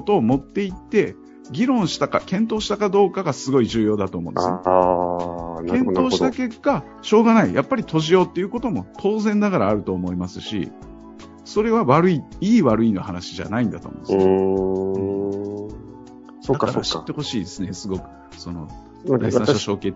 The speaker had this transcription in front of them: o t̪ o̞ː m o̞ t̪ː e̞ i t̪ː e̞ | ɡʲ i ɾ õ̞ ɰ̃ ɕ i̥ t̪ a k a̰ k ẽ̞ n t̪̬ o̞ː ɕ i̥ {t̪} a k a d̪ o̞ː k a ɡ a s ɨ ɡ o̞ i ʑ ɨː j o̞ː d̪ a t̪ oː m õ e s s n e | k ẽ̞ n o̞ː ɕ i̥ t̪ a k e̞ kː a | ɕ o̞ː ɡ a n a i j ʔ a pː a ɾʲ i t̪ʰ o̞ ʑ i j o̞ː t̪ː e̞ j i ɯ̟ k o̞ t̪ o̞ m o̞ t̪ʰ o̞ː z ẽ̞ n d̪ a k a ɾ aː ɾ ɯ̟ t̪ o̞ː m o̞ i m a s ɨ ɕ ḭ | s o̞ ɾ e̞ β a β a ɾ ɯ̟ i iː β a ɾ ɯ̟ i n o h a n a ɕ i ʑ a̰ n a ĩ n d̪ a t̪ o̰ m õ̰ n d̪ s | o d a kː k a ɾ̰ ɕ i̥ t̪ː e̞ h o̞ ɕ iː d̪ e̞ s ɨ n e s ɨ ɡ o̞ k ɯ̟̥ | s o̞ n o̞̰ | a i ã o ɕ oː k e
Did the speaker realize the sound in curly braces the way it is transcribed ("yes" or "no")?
yes